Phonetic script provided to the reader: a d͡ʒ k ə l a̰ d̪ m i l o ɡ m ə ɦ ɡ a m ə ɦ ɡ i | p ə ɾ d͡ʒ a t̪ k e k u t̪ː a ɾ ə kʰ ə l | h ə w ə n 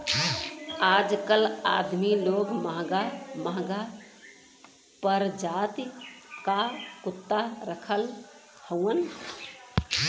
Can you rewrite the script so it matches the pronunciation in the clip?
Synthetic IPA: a d͡ʒ k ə l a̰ d̪ m i l o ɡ m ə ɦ ɡ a m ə ɦ ɡ a | p ə ɾ d͡ʒ a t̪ k a k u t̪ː a ɾ ə kʰ ə l | h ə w ə n